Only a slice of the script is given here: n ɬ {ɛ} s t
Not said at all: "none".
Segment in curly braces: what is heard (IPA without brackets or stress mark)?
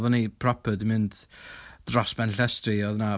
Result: ɛ